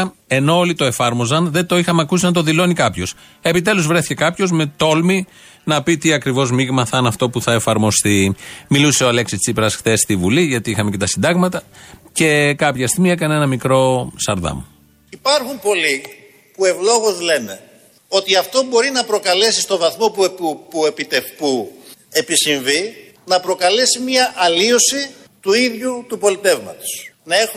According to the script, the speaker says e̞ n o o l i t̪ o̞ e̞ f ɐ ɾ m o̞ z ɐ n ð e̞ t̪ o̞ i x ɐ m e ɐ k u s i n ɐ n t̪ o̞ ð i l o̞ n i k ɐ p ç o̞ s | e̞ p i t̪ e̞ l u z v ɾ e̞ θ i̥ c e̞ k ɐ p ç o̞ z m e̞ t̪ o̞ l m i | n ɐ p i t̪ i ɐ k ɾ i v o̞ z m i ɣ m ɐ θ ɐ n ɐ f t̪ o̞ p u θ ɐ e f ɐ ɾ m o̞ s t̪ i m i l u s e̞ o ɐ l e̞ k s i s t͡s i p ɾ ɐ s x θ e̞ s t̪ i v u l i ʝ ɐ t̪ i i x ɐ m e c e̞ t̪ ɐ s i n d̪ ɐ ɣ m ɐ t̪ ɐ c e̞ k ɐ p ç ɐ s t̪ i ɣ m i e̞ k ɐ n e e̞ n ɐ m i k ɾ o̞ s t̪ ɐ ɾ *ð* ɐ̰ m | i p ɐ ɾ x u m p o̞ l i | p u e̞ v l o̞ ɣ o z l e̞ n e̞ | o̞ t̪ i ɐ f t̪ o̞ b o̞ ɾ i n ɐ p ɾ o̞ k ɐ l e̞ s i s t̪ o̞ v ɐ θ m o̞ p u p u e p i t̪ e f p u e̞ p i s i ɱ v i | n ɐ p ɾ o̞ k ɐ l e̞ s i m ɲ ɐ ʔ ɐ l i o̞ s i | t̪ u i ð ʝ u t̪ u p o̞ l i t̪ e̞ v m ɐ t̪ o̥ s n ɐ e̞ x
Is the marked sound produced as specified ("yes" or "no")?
yes